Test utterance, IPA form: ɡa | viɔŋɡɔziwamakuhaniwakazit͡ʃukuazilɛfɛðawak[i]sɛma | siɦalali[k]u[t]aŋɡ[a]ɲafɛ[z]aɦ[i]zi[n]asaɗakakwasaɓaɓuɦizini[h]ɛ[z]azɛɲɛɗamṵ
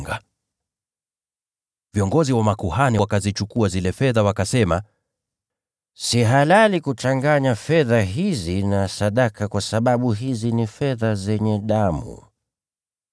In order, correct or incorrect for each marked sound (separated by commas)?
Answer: incorrect, correct, incorrect, correct, incorrect, correct, correct, incorrect, incorrect